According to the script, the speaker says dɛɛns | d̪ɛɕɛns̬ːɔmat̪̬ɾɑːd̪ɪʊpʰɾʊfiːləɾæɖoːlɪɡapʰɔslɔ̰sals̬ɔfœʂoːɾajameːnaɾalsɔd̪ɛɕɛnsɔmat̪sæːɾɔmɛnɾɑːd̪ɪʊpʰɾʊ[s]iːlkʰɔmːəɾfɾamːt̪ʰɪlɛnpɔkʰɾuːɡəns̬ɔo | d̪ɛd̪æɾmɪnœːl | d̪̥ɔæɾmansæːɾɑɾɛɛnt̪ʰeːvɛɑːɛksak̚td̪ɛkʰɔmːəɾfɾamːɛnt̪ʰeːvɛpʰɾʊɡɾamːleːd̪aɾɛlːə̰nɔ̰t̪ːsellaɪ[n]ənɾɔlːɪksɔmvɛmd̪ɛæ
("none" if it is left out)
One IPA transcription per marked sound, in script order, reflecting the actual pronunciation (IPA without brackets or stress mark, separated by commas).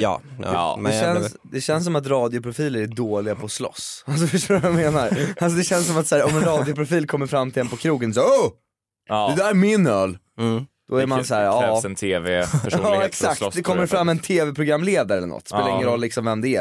f, ŋ